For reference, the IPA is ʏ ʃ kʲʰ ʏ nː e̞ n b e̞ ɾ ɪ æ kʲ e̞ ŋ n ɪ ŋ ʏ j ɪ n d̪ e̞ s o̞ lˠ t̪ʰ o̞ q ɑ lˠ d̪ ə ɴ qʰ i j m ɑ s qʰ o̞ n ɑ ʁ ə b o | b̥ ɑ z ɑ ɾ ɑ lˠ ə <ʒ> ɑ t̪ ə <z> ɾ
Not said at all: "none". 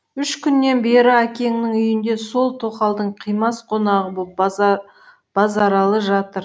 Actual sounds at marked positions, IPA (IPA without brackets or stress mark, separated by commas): ʒ, none